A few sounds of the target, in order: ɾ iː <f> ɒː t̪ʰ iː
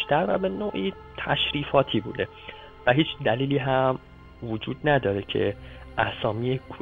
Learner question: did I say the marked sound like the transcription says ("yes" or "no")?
yes